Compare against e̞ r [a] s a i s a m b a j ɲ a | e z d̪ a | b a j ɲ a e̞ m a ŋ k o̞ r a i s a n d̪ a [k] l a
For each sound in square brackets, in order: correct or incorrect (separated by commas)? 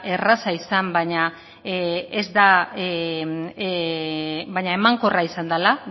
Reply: correct, incorrect